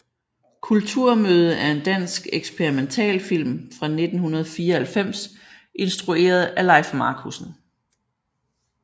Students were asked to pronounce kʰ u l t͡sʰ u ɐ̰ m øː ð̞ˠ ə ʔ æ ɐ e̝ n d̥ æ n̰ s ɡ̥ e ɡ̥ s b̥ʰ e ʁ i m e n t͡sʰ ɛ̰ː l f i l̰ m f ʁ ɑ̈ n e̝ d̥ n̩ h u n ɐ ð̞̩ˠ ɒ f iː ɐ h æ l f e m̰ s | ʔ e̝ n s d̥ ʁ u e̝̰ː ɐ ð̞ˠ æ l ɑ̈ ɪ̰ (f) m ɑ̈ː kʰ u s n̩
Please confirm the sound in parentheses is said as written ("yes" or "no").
yes